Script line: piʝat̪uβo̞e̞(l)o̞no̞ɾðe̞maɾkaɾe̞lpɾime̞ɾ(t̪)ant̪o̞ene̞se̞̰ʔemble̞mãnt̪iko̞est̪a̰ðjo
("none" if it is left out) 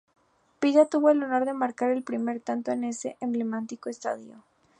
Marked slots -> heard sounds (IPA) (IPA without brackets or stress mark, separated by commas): l, t̪